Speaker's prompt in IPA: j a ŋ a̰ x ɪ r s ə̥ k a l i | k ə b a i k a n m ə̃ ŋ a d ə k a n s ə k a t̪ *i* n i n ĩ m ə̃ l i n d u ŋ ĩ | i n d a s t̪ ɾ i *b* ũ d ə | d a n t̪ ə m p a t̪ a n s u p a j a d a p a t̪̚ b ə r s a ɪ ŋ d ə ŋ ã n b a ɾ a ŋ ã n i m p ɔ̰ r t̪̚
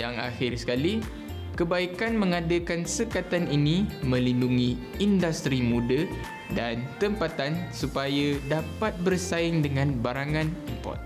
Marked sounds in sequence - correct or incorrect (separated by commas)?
incorrect, incorrect